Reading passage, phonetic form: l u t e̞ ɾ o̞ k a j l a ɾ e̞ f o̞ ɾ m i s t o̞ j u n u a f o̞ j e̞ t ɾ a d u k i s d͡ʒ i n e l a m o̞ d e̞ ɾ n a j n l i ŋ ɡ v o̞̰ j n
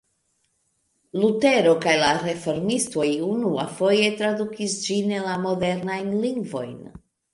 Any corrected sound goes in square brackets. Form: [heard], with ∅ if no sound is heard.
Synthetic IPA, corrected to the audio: l u t e̞ ɾ o̞ k a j l a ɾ e̞ f o̞ ɾ m i s t o̞ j u n u a f o̞ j e̞ t ɾ a d u k i s d͡ʒ i n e l a m o̞ d e̞ ɾ n a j n l i ŋ ɡ v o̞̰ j n